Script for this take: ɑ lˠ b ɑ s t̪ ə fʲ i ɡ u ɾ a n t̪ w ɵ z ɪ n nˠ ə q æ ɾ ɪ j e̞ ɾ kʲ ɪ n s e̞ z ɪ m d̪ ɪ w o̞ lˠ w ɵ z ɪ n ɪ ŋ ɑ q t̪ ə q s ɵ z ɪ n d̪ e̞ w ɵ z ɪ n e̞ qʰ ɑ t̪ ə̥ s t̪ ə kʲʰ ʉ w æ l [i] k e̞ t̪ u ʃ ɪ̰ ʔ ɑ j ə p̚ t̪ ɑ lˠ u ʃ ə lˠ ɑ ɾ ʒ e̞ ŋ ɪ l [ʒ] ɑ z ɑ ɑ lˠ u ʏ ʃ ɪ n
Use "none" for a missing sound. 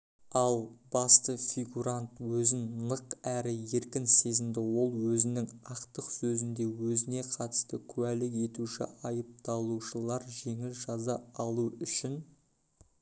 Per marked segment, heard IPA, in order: ɪ, ʒ

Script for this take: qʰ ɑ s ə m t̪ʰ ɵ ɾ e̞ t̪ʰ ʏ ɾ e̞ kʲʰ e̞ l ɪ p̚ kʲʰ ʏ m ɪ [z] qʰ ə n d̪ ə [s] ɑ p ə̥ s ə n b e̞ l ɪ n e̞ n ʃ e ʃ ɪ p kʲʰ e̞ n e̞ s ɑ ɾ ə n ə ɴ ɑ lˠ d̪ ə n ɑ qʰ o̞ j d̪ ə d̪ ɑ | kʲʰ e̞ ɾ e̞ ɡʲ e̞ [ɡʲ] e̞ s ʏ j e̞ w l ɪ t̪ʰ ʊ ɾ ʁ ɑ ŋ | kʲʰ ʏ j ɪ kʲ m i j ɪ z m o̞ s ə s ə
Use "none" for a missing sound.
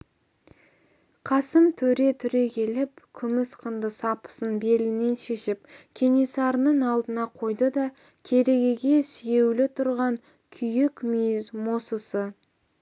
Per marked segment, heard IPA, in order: s, s, ɡʲ

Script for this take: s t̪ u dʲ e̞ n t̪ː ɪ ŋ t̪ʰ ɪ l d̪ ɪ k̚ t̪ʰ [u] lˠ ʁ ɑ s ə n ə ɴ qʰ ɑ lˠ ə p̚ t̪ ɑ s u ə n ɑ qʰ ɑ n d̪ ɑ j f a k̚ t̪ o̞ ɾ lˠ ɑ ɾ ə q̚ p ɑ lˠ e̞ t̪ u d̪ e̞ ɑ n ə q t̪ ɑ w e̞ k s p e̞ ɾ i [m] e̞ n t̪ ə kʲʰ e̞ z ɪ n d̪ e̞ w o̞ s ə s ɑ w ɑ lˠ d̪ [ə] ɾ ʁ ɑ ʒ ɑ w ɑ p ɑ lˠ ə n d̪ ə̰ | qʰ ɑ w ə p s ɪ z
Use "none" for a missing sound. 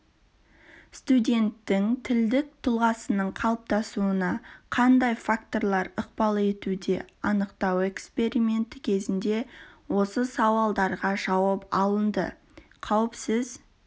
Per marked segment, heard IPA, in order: ʊ, m, ɑ

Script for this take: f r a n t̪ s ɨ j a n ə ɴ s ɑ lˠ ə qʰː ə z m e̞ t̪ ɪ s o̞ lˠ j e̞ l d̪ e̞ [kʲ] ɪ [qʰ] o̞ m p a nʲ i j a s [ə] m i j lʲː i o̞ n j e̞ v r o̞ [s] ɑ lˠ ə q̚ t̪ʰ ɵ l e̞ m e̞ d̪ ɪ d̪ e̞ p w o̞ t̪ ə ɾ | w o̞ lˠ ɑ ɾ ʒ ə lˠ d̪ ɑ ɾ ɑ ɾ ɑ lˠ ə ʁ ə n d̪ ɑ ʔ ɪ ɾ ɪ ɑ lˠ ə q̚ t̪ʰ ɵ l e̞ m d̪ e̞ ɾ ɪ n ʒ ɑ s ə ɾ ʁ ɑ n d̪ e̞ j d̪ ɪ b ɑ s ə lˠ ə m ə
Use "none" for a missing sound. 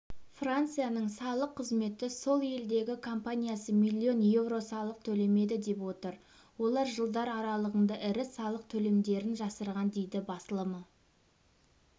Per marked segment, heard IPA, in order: ɡʲ, kʰ, ə, s

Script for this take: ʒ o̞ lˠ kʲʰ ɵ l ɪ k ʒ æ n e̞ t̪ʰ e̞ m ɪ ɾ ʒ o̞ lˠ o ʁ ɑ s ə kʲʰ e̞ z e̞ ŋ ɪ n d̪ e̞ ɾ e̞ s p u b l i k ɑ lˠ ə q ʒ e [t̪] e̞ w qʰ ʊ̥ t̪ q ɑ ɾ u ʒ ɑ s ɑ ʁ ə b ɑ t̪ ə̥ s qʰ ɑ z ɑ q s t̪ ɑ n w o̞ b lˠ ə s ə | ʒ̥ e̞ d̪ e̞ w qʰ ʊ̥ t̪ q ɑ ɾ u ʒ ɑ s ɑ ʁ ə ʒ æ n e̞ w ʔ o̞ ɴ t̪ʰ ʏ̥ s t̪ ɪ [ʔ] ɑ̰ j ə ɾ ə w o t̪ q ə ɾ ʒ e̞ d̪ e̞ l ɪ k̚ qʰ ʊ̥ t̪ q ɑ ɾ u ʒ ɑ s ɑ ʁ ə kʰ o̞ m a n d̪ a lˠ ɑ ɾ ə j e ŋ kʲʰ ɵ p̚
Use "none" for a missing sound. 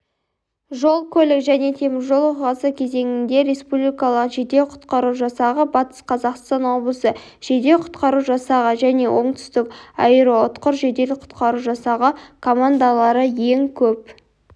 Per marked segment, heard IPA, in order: d̪, k

